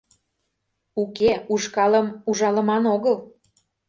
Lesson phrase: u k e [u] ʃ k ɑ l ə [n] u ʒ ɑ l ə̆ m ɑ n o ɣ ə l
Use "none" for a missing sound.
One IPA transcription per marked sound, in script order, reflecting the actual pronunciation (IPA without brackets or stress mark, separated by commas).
u, m